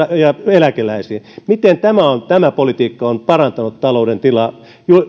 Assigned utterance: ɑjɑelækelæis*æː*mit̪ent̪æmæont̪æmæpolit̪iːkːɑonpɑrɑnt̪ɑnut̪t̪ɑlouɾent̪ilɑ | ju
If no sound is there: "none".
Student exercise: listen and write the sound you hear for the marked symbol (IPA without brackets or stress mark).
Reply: iː